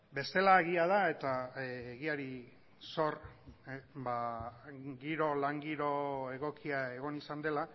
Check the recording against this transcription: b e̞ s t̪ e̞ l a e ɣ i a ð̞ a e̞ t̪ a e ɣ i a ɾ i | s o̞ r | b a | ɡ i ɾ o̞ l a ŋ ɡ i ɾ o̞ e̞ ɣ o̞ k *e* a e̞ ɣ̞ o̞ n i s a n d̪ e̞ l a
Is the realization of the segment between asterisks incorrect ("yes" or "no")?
yes